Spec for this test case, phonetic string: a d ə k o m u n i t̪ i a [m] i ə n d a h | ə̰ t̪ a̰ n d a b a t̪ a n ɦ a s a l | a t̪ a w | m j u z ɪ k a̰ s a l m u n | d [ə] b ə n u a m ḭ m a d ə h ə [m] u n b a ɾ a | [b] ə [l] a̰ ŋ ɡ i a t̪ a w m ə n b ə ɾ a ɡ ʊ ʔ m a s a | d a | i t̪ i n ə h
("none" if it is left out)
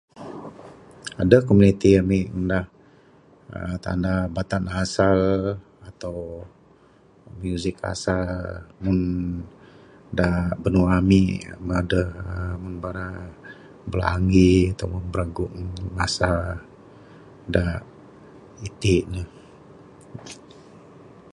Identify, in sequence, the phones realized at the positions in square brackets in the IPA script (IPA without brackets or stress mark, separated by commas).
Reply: m, a, m, b, l